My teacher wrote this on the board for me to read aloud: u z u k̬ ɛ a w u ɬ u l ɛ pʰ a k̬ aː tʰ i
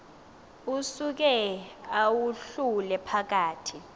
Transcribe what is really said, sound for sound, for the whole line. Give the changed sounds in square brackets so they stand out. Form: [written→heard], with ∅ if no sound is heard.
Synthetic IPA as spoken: u [z→s] u k̬ ɛ a w u ɬ u l ɛ pʰ a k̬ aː tʰ i